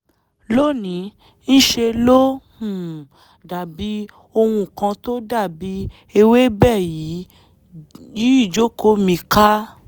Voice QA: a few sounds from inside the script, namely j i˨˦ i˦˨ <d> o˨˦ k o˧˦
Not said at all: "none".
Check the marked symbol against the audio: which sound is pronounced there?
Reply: d͡ʒ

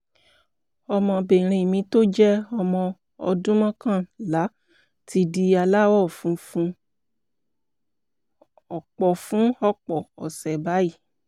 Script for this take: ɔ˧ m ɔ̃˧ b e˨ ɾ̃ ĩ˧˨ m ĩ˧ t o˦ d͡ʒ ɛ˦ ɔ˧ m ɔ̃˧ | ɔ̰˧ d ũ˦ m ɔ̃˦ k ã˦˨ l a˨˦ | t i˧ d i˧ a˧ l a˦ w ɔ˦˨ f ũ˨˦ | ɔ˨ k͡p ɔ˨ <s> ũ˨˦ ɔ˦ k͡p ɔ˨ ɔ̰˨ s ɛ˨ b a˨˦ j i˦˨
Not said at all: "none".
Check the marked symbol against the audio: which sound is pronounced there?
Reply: f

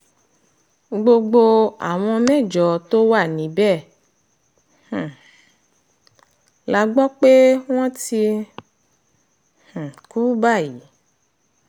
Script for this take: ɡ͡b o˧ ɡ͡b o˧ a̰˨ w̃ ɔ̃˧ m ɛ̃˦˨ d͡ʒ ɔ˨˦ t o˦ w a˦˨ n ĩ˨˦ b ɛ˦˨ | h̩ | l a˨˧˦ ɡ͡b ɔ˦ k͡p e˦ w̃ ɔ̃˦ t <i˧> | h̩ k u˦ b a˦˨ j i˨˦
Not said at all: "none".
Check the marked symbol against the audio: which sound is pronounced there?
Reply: i˧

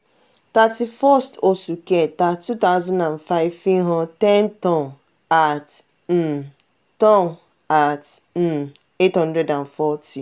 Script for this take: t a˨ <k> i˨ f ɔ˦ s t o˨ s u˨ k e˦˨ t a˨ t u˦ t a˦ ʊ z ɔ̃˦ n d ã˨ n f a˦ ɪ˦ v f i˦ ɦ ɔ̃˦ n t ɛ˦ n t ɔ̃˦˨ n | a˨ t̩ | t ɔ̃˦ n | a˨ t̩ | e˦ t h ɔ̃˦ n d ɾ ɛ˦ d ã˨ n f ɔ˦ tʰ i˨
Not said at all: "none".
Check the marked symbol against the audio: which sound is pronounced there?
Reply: t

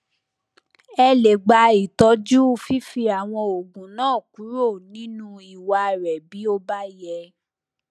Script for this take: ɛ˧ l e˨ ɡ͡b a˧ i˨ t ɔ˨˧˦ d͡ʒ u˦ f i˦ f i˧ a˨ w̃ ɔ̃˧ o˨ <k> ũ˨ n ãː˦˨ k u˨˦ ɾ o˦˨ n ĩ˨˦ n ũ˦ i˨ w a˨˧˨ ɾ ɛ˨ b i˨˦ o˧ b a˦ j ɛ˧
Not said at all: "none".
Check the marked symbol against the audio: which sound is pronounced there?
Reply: ɡ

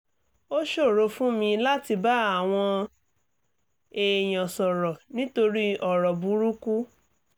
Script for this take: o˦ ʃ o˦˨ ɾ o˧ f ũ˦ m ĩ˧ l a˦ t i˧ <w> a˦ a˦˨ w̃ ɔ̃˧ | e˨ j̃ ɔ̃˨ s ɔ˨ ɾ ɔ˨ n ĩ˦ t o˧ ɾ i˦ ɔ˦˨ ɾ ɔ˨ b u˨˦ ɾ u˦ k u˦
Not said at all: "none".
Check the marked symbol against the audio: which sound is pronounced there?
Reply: b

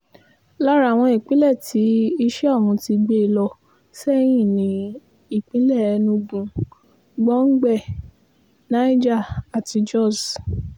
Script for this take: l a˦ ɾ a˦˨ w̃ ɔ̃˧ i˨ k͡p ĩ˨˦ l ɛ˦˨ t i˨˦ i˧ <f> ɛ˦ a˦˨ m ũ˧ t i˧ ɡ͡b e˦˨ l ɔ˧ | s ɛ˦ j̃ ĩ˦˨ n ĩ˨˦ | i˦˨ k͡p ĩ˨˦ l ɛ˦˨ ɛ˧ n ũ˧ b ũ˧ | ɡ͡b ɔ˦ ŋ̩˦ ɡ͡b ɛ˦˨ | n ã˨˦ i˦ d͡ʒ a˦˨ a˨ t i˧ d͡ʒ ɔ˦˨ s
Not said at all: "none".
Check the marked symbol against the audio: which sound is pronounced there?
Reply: ʃ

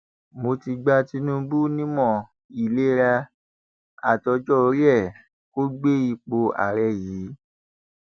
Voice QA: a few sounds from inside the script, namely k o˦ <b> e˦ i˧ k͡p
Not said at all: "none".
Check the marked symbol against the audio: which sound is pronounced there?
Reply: ɡ͡b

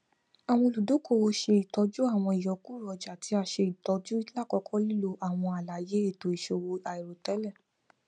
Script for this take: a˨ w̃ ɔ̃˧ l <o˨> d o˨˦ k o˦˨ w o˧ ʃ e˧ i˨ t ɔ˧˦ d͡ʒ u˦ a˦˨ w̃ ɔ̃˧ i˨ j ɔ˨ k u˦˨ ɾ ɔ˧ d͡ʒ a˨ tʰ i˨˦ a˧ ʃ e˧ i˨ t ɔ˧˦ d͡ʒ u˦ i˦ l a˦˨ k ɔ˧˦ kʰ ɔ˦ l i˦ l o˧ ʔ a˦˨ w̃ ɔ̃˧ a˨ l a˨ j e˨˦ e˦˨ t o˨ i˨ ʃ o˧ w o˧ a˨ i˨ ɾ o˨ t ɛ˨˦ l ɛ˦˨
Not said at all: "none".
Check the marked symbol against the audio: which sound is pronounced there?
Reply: u˨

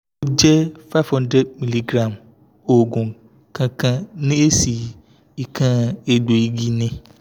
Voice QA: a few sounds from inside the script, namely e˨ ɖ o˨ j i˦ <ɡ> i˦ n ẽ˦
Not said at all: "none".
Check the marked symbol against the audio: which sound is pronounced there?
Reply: ɡ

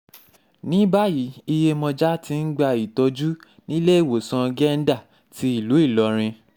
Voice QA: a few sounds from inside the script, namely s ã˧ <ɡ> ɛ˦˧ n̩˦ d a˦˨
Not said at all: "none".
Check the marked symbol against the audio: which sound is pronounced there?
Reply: ɡ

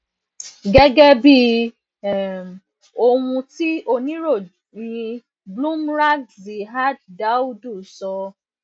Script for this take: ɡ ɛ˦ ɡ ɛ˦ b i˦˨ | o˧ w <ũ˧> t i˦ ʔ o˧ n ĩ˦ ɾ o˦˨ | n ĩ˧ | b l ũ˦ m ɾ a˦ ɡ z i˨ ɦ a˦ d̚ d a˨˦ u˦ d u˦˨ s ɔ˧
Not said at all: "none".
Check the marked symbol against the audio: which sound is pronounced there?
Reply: ũ˧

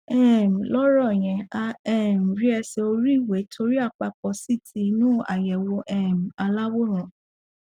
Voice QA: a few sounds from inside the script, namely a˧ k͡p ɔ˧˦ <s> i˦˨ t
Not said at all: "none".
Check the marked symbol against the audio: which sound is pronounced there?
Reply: s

